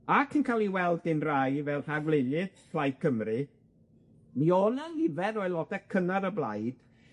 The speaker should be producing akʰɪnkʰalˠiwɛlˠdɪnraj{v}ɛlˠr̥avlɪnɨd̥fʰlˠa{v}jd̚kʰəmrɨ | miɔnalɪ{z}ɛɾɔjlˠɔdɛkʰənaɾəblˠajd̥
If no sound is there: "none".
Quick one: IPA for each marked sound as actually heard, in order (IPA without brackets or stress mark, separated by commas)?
v, none, v